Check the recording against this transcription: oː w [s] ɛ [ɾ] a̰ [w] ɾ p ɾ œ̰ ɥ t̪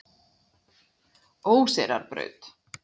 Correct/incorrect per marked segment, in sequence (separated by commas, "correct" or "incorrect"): correct, correct, incorrect